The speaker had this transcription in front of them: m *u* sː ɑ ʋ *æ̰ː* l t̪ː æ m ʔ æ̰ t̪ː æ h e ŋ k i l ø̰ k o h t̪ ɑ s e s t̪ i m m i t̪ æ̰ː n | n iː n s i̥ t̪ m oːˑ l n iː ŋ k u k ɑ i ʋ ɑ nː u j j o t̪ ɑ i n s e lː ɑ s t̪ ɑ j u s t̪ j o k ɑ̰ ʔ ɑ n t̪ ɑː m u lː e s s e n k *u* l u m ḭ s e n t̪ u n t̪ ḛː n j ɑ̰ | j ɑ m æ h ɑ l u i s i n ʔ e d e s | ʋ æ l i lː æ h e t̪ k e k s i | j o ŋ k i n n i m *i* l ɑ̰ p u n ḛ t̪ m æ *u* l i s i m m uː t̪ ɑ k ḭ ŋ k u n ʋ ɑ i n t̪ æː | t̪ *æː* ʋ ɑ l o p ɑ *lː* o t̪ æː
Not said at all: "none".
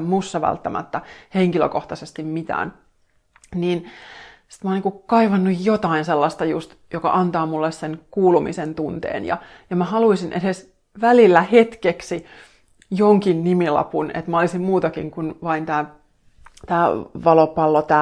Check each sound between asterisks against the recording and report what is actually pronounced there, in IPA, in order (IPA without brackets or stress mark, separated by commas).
u, æ̰, uː, i, o, æː, lː